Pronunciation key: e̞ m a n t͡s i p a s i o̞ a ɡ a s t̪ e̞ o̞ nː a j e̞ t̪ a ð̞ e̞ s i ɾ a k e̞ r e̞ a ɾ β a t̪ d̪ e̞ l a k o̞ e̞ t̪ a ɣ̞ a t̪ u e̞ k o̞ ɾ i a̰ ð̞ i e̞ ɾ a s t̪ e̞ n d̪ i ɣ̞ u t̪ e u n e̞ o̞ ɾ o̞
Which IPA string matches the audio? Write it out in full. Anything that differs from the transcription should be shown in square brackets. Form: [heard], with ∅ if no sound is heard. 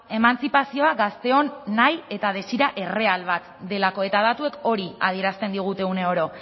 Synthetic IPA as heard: e̞ m a n t͡s i p a s i o̞ a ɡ a s t̪ e̞ o̞ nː a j e̞ t̪ a ð̞ e̞ s i ɾ a [ʔ] e̞ r e̞ a [l] β a t̪ d̪ e̞ l a k o̞ e̞ t̪ a [ð̞] a t̪ u e̞ k o̞ ɾ i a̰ ð̞ i e̞ ɾ a s t̪ e̞ n d̪ i ɣ̞ u t̪ e u n e̞ o̞ ɾ o̞